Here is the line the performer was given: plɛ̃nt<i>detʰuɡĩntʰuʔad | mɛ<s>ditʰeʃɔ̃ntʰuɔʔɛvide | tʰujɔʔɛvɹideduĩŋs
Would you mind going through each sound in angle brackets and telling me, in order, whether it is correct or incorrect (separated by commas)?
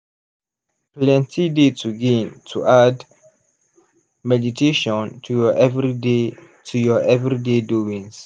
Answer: correct, incorrect